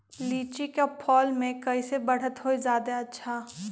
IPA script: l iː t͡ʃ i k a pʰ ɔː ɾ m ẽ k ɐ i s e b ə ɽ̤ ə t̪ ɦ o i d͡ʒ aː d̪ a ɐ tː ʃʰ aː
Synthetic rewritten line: l iː t͡ʃ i k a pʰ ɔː l m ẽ k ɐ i s e b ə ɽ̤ ə t̪ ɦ o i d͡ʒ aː d̪ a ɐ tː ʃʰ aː